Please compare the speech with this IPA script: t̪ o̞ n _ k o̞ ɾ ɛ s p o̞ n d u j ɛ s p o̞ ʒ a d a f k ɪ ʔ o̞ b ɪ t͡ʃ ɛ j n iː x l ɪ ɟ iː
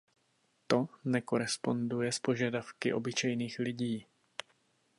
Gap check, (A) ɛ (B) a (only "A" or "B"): A